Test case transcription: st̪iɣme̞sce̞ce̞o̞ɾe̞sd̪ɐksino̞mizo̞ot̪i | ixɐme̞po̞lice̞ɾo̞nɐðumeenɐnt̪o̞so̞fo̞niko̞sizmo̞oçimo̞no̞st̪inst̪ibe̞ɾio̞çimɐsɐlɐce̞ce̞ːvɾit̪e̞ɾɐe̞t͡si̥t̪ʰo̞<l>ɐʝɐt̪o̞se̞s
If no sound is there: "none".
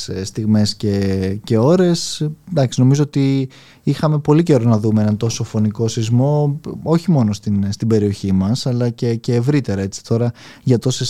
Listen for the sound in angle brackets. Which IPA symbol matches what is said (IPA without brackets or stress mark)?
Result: ɾ